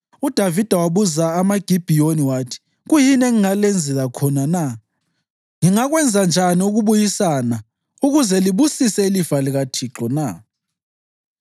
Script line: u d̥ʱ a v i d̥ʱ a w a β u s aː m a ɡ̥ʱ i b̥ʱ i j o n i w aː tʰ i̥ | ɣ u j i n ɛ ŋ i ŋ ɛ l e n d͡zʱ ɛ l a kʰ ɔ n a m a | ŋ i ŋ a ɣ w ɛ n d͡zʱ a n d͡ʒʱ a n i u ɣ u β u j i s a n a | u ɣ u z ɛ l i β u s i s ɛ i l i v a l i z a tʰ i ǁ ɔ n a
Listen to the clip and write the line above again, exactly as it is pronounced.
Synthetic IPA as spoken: u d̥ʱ a v i d̥ʱ a w a β u z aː m a ɡ̥ʱ i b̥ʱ i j o n i w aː tʰ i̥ | ɣ u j i n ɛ ŋ i ŋ a l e n d͡zʱ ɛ l a kʰ ɔ n a n a | ŋ i ŋ a ɣ w ɛ n d͡zʱ a n d͡ʒʱ a n i u ɣ u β u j i s a n a | u ɣ u z ɛ l i β u s i s ɛ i l i v a l i ɣ a tʰ i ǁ ɔ n a